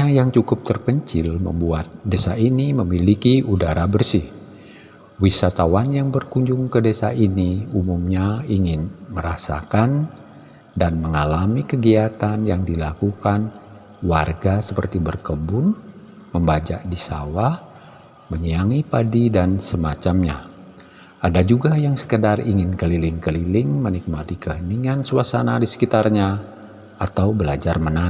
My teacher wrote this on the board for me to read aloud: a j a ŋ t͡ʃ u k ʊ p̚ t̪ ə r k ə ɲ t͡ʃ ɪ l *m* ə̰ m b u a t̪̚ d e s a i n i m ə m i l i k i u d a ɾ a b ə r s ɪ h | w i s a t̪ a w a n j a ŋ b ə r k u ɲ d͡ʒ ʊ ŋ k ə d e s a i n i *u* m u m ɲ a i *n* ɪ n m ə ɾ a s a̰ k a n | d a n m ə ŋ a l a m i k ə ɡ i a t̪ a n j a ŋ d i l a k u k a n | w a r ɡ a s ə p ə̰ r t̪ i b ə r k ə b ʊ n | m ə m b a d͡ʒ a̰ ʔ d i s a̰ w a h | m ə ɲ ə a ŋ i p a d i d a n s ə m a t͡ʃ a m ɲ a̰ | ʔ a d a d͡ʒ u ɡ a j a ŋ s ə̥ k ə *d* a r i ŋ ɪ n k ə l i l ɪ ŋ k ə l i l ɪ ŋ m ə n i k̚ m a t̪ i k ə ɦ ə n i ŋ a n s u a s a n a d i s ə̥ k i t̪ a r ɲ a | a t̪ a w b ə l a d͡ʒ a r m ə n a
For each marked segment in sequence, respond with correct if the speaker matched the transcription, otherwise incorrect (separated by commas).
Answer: correct, correct, incorrect, correct